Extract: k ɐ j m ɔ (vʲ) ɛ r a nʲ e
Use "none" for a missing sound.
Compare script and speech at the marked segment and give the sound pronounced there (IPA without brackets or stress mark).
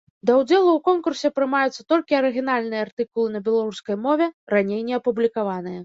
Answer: vʲ